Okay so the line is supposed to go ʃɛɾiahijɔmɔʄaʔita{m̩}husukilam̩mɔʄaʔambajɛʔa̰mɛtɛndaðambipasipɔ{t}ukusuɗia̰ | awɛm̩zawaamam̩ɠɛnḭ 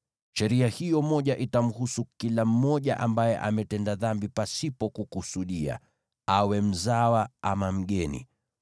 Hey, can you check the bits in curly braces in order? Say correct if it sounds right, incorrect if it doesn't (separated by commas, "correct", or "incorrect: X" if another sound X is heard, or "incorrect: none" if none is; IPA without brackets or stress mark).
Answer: correct, incorrect: k